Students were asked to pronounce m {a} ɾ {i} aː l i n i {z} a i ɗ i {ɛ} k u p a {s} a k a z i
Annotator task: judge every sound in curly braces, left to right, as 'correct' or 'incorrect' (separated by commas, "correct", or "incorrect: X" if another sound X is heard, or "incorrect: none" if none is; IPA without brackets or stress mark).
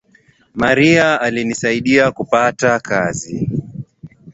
correct, correct, incorrect: s, incorrect: a, incorrect: t